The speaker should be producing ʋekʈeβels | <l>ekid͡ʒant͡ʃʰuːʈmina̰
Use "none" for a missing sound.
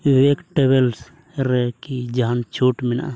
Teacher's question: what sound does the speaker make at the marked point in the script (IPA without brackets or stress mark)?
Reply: ɾ